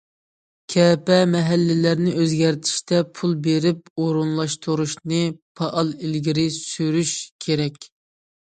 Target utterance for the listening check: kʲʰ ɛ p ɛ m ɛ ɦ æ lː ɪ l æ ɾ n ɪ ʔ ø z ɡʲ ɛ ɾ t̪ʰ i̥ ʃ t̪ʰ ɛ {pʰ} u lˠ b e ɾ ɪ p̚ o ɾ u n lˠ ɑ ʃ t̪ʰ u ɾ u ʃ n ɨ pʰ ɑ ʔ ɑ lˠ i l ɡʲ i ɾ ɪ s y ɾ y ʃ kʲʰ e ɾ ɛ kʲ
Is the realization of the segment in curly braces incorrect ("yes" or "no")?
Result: no